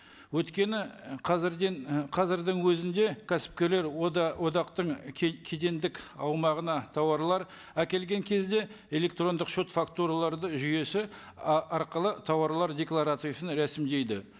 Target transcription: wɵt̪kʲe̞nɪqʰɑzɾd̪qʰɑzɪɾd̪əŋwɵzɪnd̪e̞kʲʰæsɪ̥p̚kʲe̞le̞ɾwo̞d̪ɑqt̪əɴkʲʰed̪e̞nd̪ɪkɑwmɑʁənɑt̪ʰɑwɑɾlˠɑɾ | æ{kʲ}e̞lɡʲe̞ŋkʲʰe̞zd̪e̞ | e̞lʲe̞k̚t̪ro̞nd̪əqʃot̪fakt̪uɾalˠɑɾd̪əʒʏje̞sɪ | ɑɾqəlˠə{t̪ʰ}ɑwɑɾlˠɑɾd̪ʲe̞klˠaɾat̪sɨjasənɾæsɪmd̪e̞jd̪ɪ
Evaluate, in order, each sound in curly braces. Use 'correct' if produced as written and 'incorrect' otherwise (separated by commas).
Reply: correct, correct